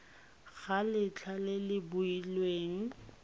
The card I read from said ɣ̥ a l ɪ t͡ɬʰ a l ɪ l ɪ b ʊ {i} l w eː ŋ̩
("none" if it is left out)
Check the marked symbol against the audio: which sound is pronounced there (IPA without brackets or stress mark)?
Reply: i